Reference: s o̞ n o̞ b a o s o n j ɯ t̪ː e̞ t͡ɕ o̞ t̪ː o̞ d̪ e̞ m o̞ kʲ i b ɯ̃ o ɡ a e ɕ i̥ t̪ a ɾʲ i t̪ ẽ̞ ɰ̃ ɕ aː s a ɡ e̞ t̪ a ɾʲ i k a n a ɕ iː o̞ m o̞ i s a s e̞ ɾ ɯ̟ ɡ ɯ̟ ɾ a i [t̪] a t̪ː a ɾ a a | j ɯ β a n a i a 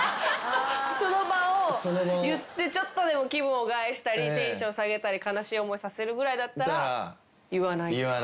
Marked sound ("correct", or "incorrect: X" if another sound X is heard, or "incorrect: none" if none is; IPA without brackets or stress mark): incorrect: d̪